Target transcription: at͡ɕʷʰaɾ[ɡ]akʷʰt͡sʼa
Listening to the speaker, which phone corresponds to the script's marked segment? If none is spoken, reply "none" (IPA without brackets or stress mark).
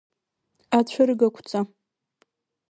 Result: ɡ